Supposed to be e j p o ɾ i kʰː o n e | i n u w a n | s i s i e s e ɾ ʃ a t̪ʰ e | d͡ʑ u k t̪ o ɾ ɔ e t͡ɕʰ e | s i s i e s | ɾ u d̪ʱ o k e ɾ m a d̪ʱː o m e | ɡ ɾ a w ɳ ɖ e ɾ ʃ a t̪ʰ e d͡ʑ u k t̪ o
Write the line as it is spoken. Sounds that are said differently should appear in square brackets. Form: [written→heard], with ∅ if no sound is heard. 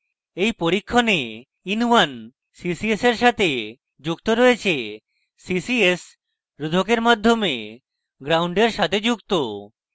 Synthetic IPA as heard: e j p o ɾ i kʰː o n e | i n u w a n | s i s i e s e ɾ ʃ a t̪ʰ e | d͡ʑ u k t̪ o ɾ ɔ e t͡ɕʰ e | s i s i e s | ɾ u d̪ʱ o k e ɾ m a d̪ʱː o m e | ɡ ɾ a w ɳ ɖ e ɾ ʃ a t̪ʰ e d͡ʑ u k t̪ o